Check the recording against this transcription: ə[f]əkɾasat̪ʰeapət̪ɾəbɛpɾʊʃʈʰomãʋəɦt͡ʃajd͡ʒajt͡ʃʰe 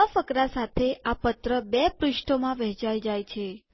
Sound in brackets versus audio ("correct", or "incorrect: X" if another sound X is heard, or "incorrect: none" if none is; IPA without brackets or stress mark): correct